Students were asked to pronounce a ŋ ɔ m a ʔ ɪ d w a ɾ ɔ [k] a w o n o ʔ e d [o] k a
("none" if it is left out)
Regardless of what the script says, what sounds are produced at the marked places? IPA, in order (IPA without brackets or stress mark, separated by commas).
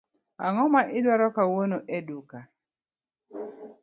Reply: k, u